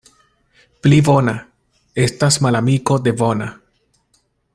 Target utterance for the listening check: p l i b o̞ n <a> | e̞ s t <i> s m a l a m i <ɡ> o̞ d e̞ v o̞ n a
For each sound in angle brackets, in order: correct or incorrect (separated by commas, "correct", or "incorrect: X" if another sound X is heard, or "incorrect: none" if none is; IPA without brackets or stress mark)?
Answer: correct, incorrect: a, incorrect: k